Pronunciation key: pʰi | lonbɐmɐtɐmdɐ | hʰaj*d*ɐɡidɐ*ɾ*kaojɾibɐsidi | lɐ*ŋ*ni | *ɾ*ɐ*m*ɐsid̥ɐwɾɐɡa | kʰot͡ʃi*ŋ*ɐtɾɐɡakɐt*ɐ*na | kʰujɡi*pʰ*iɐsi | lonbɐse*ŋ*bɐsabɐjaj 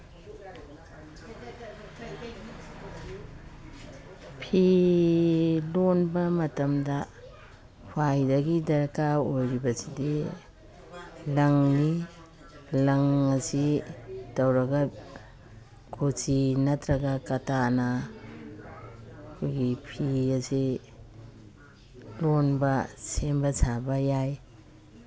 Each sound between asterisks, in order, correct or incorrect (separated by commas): correct, correct, correct, incorrect, incorrect, incorrect, incorrect, correct, incorrect